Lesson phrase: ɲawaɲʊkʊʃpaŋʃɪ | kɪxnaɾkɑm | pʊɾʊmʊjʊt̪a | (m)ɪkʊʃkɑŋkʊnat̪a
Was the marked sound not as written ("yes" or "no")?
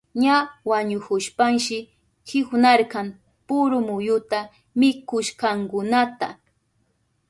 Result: no